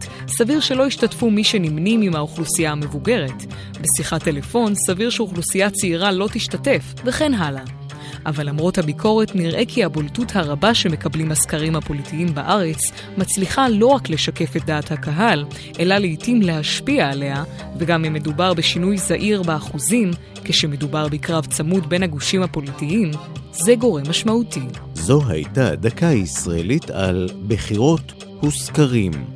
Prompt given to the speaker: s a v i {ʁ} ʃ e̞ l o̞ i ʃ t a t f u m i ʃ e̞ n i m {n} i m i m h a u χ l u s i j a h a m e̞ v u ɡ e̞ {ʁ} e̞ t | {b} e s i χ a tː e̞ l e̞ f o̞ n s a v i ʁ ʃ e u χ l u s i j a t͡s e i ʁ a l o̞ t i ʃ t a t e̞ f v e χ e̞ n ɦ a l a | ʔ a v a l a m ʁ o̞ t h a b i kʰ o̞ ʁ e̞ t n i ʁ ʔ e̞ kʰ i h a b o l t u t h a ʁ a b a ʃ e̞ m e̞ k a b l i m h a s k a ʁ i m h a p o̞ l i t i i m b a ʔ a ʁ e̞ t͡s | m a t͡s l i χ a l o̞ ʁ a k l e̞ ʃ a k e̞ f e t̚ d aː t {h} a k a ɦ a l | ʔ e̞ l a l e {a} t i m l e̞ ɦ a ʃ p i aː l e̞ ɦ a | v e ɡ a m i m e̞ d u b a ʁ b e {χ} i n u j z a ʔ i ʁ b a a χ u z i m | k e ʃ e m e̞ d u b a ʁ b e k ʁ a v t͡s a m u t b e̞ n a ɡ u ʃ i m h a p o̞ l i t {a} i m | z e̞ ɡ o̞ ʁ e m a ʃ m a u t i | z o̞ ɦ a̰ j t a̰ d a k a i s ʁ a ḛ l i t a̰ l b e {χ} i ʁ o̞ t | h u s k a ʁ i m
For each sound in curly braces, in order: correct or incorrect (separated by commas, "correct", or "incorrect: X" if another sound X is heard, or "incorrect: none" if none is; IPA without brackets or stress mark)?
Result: correct, correct, correct, correct, correct, incorrect: i, incorrect: ʃ, incorrect: i, correct